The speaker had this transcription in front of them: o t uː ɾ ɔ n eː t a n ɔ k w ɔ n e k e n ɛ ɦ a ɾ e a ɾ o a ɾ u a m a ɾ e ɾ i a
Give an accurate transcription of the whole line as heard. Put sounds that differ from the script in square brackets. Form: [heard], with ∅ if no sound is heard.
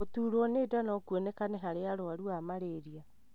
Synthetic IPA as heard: o t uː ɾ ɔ n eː [d] a n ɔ k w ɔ n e k [a] n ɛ ɦ a ɾ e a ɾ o a ɾ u a m a ɾ e ɾ i a